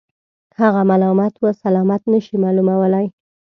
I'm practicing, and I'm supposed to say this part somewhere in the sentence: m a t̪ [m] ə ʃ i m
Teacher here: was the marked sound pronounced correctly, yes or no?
no